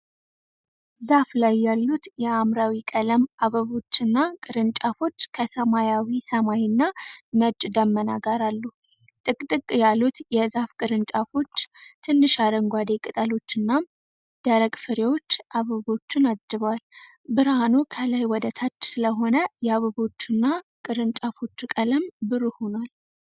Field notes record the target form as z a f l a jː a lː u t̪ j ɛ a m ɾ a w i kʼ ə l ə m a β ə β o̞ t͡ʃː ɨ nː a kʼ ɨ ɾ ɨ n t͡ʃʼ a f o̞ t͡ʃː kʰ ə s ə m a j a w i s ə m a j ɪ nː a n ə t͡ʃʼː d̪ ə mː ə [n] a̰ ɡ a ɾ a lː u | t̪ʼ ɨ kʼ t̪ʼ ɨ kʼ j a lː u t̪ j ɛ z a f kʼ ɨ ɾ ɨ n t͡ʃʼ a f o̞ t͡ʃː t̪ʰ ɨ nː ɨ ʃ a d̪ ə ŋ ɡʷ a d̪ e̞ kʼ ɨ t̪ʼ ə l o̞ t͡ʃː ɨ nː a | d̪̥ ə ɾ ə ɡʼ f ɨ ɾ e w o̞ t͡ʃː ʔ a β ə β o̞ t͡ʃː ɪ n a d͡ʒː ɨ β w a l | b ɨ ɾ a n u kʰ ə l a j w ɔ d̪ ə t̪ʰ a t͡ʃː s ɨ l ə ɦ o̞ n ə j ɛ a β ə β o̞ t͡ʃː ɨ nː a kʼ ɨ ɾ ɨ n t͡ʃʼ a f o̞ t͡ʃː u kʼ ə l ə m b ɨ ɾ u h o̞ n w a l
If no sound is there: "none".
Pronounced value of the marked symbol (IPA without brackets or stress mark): n